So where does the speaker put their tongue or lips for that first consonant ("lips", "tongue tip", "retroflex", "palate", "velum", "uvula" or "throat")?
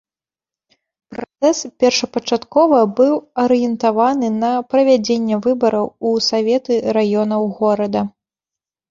lips